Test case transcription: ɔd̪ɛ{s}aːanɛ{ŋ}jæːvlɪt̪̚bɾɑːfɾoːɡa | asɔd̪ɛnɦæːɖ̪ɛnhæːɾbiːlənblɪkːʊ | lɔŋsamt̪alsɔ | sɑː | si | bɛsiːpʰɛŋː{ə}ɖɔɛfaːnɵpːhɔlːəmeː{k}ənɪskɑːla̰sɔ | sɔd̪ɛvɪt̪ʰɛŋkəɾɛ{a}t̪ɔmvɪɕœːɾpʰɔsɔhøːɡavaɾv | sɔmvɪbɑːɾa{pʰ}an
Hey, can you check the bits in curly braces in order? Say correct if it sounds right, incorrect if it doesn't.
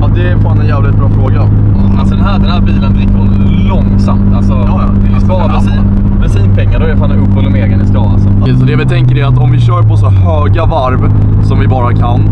incorrect: f, incorrect: n, incorrect: a, incorrect: ɡ, correct, incorrect: kʰ

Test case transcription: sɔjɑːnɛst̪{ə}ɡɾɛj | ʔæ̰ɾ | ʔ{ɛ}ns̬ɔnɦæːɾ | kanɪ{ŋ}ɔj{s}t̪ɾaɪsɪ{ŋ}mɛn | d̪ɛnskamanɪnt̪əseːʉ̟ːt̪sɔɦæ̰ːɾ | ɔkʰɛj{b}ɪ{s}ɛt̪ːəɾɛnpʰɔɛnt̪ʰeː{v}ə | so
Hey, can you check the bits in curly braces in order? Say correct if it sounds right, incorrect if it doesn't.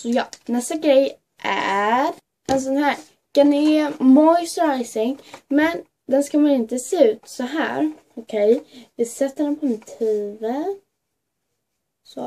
incorrect: a, correct, incorrect: m, correct, correct, incorrect: v, correct, correct

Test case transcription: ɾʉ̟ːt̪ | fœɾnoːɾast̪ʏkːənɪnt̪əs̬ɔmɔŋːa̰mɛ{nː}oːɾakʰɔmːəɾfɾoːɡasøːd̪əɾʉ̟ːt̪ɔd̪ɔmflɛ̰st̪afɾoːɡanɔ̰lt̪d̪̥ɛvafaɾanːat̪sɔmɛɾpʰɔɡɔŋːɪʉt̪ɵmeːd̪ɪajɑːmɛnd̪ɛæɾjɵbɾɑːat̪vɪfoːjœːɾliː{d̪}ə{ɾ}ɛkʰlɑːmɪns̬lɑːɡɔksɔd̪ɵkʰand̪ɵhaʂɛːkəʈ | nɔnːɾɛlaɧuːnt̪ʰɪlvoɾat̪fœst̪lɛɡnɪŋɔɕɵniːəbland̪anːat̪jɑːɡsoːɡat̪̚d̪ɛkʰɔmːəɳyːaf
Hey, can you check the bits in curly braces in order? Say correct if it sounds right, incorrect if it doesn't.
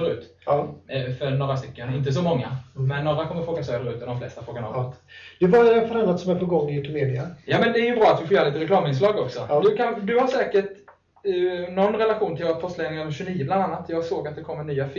correct, incorrect: t̪, correct

